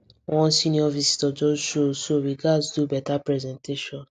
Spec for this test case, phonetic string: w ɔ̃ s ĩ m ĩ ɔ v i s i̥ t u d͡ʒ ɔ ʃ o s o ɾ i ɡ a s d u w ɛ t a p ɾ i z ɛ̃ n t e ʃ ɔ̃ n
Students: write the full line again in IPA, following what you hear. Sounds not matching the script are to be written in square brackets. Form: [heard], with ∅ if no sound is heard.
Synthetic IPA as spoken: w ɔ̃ s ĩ [n] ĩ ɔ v i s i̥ t [ɔ] d͡ʒ ɔ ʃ o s o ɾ i ɡ a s d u [b] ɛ t a p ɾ [ɛ] z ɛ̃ n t e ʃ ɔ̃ n